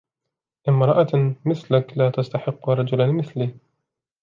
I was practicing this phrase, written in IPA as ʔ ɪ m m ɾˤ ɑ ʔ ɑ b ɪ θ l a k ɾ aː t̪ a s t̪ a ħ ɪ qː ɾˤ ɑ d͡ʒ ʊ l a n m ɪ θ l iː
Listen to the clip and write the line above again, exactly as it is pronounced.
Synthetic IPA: ʔ ɪ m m ɾˤ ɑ ʔ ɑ m ɪ θ l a k l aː t̪ a s t̪ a ħ ɪ qː ɾˤ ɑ d͡ʒ ʊ l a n m ɪ θ l iː